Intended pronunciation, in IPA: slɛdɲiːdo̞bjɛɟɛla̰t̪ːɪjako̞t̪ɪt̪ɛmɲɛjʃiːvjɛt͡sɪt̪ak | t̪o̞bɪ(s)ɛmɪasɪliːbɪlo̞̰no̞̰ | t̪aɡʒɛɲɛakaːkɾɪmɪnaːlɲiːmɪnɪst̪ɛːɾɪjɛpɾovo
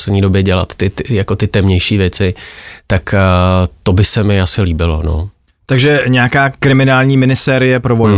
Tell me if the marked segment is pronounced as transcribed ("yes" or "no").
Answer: yes